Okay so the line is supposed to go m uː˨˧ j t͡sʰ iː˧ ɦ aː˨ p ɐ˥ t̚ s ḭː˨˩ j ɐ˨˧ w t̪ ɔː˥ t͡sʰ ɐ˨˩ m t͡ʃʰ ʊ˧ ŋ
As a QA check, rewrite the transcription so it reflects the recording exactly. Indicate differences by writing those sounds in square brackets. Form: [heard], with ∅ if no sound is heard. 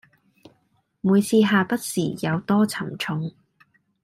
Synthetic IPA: m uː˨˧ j t͡sʰ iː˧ ɦ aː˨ p ɐ˥ t̚ s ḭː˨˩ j ɐ˨˧ w t̪ ɔː˥ t͡sʰ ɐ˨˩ m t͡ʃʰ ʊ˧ ŋ

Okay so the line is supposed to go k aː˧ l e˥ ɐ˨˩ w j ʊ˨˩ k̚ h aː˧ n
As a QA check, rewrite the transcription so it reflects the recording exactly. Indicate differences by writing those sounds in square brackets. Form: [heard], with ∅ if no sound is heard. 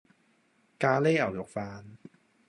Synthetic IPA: k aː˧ l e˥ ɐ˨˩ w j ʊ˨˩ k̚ [f] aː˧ n

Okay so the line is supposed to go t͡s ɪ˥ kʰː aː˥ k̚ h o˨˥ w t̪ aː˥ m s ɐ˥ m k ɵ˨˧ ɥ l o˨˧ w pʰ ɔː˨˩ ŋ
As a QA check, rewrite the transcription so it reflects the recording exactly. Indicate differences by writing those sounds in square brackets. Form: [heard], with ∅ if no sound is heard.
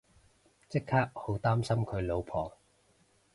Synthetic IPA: t͡s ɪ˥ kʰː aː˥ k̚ h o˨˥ w t̪ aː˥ m s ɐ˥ m [kʰ] ɵ˨˧ ɥ l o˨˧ w pʰ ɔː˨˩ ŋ

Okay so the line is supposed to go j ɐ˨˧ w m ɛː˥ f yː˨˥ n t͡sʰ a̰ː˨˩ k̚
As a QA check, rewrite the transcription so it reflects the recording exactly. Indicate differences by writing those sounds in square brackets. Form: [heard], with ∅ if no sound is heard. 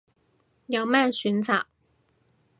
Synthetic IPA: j ɐ˨˧ w m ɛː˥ [s] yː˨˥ n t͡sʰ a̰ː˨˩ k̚

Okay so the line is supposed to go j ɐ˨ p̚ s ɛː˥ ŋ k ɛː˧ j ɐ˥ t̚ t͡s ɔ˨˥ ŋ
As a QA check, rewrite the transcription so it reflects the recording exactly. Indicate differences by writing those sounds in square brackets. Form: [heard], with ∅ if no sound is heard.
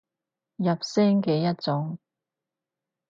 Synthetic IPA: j ɐ˨ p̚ s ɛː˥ ŋ k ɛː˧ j ɐ˥ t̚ t͡s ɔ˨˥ ŋ

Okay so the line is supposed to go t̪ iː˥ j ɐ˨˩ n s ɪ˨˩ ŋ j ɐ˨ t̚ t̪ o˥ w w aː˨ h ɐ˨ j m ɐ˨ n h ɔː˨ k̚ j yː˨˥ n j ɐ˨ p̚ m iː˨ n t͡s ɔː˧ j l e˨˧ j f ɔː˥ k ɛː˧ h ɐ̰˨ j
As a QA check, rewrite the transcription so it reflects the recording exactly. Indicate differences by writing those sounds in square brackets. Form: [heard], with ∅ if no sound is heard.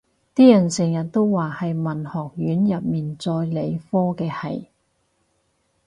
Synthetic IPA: t̪ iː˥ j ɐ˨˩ n s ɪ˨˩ ŋ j ɐ˨ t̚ t̪ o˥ w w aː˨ h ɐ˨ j m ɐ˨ n h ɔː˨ k̚ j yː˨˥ n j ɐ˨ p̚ m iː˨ n t͡s ɔː˧ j l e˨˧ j f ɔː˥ k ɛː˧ h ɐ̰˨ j

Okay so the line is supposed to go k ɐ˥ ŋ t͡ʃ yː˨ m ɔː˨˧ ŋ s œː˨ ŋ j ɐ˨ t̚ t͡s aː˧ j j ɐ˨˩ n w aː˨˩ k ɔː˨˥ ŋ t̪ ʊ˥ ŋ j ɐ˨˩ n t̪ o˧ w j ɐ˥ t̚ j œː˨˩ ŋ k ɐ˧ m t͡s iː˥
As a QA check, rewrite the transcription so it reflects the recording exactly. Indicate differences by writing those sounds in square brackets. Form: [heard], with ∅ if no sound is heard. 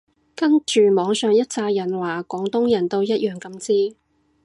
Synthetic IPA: k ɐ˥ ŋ t͡ʃ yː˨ m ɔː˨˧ ŋ s œː˨ ŋ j [ɐ˥] t̚ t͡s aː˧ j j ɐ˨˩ n w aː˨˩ k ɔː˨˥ ŋ t̪ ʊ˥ ŋ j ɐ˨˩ n t̪ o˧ w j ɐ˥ t̚ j œː˨˩ ŋ k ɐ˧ m t͡s iː˥

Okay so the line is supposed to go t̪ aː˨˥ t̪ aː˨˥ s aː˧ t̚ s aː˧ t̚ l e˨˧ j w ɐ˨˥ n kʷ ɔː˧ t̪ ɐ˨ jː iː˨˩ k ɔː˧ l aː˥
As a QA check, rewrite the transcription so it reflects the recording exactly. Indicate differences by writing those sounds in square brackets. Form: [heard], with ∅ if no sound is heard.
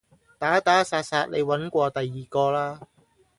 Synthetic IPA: t̪ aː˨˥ t̪ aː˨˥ s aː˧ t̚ s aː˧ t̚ l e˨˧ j w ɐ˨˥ n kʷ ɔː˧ t̪ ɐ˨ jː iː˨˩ k ɔː˧ l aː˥

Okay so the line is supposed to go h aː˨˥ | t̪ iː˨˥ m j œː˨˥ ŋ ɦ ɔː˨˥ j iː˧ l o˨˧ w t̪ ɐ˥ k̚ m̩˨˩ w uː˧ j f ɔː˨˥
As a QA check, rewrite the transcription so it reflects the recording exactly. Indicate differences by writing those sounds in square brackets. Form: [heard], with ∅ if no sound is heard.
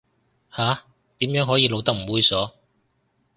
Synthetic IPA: h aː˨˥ | t̪ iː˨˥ m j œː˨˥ ŋ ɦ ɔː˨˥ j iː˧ l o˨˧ w t̪ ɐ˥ k̚ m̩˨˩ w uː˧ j [s] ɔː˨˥

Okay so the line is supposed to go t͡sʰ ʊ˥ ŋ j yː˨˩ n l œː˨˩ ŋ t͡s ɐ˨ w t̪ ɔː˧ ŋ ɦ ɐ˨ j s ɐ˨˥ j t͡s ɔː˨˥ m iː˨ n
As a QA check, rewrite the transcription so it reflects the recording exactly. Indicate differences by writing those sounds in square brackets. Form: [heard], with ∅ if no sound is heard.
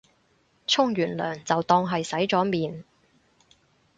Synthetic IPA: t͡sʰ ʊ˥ ŋ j yː˨˩ n l œː˨˩ ŋ t͡s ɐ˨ w t̪ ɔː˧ ŋ ɦ ɐ˨ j s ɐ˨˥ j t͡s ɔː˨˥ m iː˨ n

